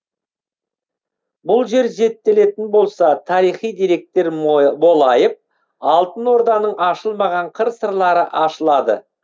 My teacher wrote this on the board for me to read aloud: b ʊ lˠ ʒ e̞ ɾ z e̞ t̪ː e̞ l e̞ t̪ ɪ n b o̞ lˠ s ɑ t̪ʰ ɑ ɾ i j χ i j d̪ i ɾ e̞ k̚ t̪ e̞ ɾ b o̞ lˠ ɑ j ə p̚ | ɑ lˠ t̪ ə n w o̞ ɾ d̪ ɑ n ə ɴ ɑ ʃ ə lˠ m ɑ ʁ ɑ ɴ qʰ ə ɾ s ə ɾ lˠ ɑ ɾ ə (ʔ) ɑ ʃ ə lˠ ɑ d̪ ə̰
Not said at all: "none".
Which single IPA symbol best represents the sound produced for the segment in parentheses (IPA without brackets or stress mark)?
ʔ